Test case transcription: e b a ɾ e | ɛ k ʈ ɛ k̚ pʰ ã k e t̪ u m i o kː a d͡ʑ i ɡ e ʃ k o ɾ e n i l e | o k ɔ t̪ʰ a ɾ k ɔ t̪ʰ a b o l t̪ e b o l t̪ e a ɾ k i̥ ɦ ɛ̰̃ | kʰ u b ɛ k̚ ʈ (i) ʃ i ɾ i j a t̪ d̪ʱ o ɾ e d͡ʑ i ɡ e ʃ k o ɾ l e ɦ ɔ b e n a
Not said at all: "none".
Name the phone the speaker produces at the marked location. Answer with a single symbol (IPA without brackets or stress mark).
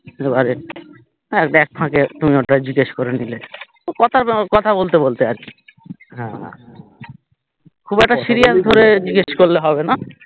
a